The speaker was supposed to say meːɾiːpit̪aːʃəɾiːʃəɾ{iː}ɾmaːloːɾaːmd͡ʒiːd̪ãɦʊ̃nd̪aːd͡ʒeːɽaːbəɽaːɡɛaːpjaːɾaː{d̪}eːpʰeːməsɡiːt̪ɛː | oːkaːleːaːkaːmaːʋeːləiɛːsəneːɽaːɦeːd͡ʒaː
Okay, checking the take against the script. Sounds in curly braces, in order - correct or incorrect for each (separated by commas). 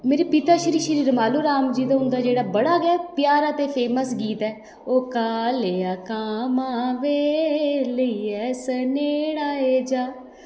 correct, incorrect